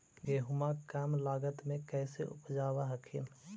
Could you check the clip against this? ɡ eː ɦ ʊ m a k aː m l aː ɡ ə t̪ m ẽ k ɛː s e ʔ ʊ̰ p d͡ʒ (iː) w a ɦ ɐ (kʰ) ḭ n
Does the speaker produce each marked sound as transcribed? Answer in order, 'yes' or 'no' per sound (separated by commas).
no, yes